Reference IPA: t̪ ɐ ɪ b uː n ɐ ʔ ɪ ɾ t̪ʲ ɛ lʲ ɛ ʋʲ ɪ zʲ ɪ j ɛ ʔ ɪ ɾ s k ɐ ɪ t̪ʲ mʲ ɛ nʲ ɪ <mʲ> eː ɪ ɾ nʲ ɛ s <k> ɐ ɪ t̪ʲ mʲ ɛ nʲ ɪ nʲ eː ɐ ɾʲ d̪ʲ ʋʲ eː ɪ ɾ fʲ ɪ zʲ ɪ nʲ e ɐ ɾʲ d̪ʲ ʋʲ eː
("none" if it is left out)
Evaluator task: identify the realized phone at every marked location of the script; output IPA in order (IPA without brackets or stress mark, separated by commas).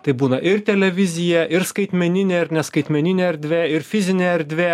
nʲ, k